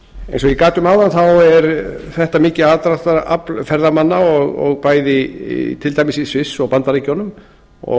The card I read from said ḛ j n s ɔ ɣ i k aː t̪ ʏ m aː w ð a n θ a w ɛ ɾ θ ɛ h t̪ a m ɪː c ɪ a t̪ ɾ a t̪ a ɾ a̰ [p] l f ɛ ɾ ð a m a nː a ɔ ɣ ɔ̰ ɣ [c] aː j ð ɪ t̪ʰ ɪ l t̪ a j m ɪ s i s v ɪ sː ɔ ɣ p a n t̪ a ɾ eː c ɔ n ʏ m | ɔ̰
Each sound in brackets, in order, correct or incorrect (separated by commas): correct, incorrect